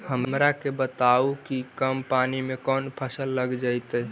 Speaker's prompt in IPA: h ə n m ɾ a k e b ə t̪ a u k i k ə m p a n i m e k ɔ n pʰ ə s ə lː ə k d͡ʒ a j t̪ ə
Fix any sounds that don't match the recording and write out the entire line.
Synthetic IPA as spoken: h ə m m ɾ a k e b ə t̪ a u k i k ə m p a n i m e k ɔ n pʰ ə s ə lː ə ɡ d͡ʒ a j t̪ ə